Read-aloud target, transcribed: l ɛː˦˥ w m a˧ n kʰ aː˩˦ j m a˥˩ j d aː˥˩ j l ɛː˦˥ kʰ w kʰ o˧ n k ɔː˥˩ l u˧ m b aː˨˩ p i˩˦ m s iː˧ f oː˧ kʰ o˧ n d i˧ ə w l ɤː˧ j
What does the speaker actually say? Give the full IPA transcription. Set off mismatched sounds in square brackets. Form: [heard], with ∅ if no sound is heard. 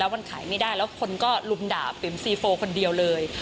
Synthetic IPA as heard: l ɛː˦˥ w m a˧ n kʰ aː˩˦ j m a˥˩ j d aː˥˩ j l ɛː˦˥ [∅] w kʰ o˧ n k ɔː˥˩ l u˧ m [d] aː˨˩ p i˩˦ m s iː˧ f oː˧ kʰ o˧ n d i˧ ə w l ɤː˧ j